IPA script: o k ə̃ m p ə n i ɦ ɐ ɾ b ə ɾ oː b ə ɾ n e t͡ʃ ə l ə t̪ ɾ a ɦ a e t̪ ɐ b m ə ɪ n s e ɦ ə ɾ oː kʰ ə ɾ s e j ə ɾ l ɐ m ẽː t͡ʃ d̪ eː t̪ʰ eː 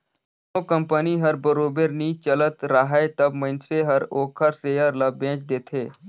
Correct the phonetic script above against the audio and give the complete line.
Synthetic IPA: o k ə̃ m p ə n i ɦ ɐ ɾ b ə ɾ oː b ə ɾ n i t͡ʃ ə l ə t̪ ɾ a ɦ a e t̪ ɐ b m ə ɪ n s e ɦ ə ɾ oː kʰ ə ɾ s e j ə ɾ l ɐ b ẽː t͡ʃ d̪ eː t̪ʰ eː